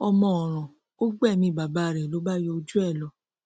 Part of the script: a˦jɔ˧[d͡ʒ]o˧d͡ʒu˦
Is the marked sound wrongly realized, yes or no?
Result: yes